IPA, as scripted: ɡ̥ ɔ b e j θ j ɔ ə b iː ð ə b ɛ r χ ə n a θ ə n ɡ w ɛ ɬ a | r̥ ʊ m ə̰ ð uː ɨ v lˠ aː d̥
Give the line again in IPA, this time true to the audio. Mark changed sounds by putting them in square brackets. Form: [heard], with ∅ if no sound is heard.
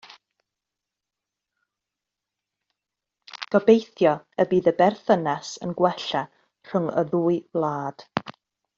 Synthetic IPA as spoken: ɡ̥ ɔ b e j θ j ɔ ə b iː ð ə b ɛ r [θ] ə n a [s] ə n ɡ w ɛ ɬ a | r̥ ʊ [ŋ] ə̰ ð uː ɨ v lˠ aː d̥

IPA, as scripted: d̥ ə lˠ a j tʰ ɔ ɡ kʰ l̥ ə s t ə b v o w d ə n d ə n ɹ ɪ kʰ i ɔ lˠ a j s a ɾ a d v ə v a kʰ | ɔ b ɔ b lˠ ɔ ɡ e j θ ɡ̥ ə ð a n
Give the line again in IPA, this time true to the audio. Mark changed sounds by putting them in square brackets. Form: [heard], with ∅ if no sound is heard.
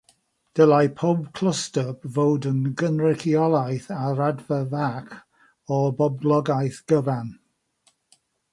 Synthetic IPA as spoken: d̥ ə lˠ a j [pʰ] ɔ [b] kʰ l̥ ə s t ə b v o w d ə n [ɡ] ə n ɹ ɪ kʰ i ɔ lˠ a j [θ] a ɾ a d v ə v a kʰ | ɔ b ɔ b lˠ ɔ ɡ [a] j θ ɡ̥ ə [v] a n

